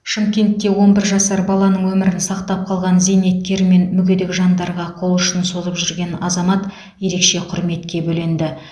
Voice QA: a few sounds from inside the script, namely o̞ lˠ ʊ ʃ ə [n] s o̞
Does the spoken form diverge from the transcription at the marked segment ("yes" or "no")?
no